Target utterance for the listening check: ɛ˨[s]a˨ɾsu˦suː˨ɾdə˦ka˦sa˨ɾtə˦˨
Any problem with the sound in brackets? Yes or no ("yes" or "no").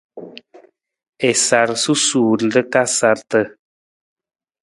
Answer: no